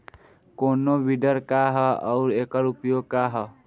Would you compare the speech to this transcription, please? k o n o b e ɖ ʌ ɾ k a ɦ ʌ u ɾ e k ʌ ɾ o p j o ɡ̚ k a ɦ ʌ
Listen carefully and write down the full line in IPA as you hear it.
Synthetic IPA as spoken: k o n o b i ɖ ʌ ɾ k a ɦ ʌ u ɾ e k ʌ ɾ u p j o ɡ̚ k a ɦ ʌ